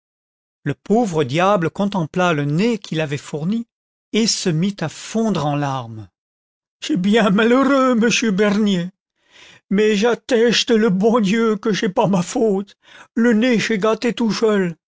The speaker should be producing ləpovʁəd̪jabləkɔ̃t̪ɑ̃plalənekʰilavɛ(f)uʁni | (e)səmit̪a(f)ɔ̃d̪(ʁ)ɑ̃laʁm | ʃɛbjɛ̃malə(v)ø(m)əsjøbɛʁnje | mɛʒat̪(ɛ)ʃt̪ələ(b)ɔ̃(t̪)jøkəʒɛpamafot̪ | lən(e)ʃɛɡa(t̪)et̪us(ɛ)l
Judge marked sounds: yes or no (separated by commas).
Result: yes, yes, yes, yes, no, yes, yes, yes, no, yes, yes, no